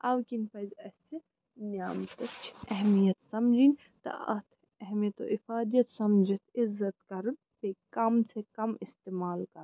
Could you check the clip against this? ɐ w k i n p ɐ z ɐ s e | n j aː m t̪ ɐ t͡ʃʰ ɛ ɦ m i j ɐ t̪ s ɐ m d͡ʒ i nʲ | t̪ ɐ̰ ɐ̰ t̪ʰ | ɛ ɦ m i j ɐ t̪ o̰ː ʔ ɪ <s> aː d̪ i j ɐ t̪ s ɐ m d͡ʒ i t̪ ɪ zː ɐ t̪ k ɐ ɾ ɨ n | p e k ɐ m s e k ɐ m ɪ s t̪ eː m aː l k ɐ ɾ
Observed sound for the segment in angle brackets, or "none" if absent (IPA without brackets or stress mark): f